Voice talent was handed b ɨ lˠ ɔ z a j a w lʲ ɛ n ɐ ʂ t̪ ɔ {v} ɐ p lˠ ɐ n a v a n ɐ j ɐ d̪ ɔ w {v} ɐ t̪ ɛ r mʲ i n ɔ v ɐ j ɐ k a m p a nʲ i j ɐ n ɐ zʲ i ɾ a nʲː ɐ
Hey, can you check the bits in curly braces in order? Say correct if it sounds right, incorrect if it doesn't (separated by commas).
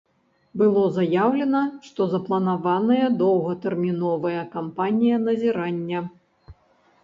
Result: incorrect, incorrect